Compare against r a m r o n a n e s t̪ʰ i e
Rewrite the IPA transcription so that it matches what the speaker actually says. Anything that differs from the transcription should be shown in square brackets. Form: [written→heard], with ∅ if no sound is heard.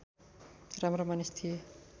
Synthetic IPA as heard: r a m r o [n→m] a n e s t̪ʰ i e

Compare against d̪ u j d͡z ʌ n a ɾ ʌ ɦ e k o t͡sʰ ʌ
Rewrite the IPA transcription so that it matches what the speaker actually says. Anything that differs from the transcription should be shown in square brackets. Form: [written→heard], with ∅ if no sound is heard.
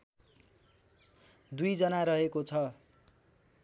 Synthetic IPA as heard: d̪ u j d͡z ʌ n a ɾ ʌ ɦ e k o t͡sʰ ʌ

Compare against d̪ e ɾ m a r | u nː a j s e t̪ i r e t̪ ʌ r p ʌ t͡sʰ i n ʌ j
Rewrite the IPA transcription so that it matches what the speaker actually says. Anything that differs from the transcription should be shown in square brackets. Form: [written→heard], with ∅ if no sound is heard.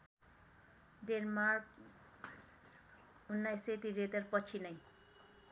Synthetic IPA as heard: d̪ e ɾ m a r | u nː a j s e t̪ i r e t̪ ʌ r p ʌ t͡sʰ i n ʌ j

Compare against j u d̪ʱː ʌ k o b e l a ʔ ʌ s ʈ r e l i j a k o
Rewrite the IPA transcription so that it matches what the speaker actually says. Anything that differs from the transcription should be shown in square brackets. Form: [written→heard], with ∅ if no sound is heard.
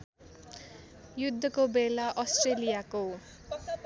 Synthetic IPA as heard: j u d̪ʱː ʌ k o b e l a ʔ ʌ s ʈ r e l i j a k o

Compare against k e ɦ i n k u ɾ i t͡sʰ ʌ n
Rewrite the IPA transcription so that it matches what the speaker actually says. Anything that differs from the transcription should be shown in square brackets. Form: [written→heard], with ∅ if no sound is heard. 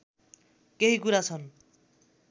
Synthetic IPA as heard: k e ɦ i [n→∅] k u ɾ [i→a] t͡sʰ ʌ n

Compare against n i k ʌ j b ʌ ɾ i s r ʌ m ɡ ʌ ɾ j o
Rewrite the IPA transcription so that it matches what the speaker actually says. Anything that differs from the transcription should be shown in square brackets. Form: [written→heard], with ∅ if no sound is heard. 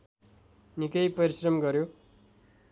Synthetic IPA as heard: n i k ʌ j [b→p] ʌ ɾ i s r ʌ m ɡ ʌ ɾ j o

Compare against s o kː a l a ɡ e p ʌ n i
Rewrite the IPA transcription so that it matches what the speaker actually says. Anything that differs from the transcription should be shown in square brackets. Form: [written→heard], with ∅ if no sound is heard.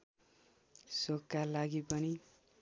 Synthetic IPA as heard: s o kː a l a ɡ [e→i] p ʌ n i

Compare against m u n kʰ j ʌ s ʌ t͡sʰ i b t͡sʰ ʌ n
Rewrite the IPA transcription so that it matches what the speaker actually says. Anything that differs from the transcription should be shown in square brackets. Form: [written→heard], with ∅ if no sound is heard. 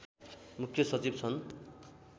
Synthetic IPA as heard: m u [n→∅] kʰ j ʌ s ʌ [t͡sʰ→t͡s] i b t͡sʰ ʌ n

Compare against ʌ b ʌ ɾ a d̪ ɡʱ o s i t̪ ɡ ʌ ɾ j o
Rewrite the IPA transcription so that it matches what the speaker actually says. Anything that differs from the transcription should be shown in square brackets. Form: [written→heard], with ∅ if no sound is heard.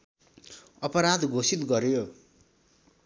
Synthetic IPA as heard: ʌ [b→p] ʌ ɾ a d̪ ɡʱ o s i t̪ ɡ ʌ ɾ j o

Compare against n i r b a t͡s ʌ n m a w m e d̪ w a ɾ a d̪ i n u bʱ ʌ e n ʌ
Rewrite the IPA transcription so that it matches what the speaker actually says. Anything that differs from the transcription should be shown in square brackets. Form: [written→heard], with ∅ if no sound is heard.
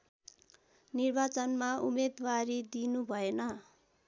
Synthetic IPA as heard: n i r b a t͡s ʌ n m a [w→u] m e d̪ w a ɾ [a→i] d̪ i n u bʱ ʌ e n ʌ

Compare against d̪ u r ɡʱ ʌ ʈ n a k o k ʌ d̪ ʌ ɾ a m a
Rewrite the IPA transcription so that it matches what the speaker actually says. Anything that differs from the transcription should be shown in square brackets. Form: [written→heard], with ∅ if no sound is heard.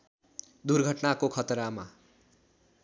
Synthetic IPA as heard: d̪ u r ɡʱ ʌ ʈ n a k o [k→kʰ] ʌ [d̪→t̪] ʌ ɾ a m a

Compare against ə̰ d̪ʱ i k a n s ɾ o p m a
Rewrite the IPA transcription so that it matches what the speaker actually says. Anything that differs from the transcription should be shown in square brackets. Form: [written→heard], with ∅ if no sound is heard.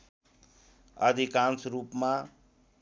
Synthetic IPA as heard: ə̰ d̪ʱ i k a n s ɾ [o→u] p m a

